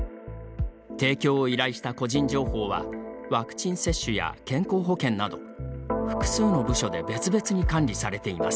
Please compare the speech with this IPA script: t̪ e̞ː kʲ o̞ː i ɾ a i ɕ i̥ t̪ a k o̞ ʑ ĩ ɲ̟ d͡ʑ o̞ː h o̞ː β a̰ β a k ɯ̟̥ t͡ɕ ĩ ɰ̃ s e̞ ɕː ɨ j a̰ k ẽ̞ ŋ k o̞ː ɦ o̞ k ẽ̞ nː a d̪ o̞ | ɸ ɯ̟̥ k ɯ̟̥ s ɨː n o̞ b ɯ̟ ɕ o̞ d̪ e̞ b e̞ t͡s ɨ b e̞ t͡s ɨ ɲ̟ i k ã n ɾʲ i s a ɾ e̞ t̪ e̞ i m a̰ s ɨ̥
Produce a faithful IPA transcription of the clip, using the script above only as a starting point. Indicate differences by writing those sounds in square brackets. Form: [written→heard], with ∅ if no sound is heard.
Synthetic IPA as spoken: t̪ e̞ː kʲ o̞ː i ɾ a i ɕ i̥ t̪ a k o̞ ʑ ĩ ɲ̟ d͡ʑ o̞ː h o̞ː β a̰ β a k ɯ̟̥ t͡ɕ ĩ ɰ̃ s e̞ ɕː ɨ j a̰ k ẽ̞ ŋ k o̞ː ɦ o̞ k ẽ̞ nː a d̪ o̞ | ɸ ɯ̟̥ k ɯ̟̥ s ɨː n o̞ b ɯ̟ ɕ o̞ d̪ e̞ b e̞ t͡s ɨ b e̞ t͡s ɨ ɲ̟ i k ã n ɾʲ i s a ɾ e̞ t̪ e̞ i m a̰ s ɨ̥